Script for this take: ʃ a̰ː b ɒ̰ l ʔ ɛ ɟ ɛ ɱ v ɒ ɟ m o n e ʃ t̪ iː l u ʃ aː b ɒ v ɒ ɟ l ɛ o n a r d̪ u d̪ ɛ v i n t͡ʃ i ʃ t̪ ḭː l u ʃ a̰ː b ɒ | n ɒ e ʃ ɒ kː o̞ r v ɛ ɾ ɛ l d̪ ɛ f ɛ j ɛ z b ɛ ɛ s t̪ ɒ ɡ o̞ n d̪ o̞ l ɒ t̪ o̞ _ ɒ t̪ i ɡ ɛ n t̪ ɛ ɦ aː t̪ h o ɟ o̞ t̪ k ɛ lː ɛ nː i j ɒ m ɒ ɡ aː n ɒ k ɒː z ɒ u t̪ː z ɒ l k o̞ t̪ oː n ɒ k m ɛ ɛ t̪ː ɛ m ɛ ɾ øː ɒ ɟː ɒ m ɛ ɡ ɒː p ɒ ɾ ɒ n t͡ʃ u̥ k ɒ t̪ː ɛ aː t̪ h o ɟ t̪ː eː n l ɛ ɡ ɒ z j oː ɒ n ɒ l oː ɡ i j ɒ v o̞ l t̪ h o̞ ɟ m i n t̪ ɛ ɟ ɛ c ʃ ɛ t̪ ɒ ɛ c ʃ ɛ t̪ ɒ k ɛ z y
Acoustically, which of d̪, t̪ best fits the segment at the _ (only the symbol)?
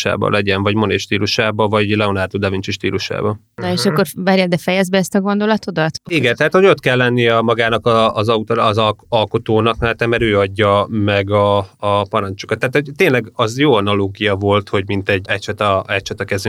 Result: d̪